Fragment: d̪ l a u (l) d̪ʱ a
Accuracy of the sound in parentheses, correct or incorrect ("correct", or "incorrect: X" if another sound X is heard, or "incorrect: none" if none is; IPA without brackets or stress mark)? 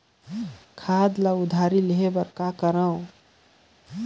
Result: incorrect: none